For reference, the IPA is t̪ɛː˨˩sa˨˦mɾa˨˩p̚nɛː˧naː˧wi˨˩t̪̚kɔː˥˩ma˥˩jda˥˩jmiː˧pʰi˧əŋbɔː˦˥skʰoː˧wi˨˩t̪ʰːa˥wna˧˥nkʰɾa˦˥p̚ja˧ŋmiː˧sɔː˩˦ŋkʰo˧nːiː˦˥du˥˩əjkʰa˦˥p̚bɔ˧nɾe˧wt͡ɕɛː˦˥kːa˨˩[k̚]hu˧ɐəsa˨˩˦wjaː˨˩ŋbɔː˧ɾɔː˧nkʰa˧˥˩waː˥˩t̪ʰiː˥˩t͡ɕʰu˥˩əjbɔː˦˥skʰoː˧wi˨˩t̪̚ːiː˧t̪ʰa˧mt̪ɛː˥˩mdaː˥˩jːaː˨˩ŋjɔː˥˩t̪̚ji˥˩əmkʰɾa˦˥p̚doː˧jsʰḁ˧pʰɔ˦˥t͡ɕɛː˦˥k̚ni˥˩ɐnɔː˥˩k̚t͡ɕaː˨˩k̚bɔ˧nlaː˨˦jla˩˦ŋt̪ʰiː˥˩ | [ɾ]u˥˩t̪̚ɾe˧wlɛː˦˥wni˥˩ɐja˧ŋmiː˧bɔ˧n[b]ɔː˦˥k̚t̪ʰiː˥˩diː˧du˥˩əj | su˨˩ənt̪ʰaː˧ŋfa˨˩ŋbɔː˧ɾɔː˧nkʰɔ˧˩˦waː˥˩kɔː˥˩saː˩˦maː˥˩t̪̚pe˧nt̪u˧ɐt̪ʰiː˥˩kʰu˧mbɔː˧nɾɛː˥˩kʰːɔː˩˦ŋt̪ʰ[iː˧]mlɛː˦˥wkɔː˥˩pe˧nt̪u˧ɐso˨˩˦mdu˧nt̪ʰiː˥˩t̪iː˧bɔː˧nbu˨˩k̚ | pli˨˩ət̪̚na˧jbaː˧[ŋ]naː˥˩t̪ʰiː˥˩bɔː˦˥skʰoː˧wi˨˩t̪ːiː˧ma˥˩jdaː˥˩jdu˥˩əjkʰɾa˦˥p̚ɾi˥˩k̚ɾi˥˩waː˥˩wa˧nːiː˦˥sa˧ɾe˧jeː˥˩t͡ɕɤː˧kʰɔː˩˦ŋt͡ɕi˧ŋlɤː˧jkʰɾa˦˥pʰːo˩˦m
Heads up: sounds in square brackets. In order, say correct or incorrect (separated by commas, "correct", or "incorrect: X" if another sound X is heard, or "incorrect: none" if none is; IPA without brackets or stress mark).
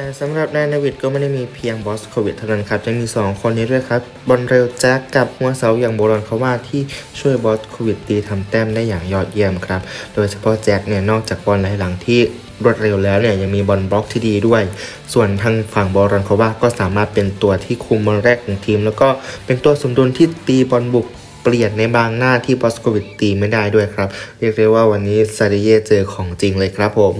incorrect: p̚, correct, correct, correct, correct